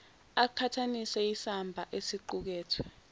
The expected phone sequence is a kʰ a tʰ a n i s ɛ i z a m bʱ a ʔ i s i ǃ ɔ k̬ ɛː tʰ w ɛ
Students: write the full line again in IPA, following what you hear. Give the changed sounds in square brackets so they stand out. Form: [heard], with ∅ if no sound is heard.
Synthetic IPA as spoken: a kʰ a tʰ a n i s ɛ i [s] a m bʱ a ʔ [e] s i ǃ [u] k̬ ɛː tʰ w ɛ